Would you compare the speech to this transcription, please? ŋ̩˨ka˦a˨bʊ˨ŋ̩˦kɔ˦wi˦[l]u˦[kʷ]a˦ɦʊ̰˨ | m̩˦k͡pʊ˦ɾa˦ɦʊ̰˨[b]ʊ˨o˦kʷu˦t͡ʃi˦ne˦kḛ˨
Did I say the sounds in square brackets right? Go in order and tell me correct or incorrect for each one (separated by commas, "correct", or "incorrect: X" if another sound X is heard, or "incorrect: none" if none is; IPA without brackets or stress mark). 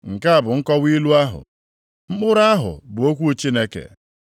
correct, incorrect: none, correct